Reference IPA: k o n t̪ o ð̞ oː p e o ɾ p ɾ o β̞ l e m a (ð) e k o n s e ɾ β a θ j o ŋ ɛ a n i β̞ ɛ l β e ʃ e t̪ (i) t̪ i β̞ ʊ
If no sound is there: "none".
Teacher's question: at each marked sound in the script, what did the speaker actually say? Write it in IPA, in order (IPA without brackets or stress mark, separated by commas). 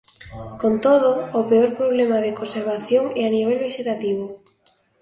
ð, a